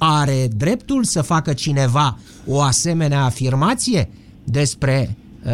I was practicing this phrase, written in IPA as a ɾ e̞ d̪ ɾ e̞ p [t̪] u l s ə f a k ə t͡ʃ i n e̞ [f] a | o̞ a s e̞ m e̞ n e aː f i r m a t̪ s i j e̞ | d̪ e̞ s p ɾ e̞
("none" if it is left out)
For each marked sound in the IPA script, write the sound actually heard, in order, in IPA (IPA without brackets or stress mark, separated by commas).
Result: t̪, v